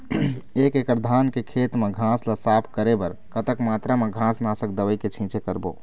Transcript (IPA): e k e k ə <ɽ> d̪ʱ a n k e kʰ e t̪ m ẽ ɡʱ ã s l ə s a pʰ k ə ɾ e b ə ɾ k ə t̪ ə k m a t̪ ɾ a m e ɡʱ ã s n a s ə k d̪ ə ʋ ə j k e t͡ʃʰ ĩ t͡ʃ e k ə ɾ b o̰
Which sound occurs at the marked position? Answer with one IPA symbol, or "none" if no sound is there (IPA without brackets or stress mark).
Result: ɾ